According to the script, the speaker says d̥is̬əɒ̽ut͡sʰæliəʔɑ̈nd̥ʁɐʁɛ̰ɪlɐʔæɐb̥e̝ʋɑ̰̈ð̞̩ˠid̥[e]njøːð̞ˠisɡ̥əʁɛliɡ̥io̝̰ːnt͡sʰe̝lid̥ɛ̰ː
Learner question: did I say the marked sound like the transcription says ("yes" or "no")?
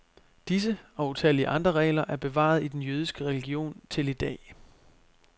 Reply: yes